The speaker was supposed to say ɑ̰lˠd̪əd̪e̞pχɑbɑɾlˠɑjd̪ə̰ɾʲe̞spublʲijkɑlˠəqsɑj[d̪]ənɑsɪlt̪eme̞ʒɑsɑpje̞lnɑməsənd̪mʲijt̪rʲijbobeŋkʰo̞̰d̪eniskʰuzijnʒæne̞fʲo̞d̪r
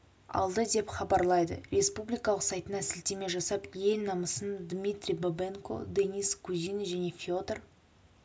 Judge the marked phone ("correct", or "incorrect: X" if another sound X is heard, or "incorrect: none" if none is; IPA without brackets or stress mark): incorrect: t̪